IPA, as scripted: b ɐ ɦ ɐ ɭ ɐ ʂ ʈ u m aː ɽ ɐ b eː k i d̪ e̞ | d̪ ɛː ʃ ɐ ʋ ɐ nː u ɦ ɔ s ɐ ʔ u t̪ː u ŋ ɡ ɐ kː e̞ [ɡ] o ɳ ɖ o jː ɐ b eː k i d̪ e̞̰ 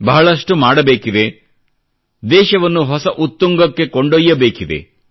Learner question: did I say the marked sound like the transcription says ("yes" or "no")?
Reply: no